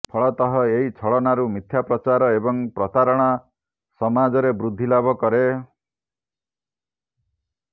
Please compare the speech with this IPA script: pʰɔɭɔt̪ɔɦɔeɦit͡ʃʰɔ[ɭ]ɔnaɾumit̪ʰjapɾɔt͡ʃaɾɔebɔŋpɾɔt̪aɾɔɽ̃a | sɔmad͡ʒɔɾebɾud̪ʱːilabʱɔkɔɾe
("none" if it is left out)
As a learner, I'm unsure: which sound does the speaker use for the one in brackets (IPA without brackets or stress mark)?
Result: ɭ